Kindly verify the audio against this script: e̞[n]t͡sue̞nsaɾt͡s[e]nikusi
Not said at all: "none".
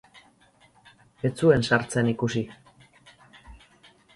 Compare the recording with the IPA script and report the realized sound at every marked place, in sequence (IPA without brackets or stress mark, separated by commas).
none, e